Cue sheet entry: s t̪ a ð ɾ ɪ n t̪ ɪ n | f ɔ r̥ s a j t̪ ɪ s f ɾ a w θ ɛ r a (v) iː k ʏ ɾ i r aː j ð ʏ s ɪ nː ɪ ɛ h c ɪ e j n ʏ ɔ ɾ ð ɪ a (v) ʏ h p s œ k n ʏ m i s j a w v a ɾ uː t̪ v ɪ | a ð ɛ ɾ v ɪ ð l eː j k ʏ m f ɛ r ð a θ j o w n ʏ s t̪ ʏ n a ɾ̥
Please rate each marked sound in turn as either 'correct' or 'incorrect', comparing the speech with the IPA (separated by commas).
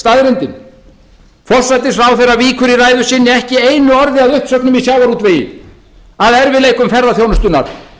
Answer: correct, incorrect